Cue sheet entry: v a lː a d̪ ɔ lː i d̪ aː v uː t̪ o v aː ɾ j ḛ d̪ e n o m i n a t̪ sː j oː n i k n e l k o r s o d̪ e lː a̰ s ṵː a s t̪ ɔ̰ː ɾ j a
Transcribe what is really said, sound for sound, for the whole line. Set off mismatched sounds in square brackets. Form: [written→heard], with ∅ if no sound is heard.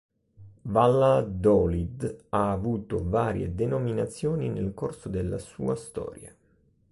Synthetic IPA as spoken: v a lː a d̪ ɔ [lː→l] i d̪ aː v uː t̪ o v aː ɾ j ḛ d̪ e n o m i n a t̪ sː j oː n i [k→∅] n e l k o r s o d̪ e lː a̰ s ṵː a s t̪ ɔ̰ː ɾ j a